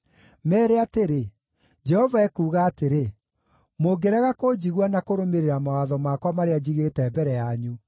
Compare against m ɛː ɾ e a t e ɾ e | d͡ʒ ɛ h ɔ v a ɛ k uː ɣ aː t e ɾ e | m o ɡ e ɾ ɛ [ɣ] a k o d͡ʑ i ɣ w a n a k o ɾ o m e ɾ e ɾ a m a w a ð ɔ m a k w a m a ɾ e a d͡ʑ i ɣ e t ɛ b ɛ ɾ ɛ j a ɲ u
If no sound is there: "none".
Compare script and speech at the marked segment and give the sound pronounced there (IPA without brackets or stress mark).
ɣ